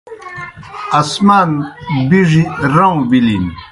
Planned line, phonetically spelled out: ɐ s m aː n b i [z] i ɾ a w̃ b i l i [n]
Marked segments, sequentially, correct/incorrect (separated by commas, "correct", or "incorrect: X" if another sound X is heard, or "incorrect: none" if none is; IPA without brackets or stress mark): incorrect: ʐ, correct